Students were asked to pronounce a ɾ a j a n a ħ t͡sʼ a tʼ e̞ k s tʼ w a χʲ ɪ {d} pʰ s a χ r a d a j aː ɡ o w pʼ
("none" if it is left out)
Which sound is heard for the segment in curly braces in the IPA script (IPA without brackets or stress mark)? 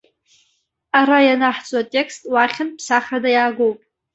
n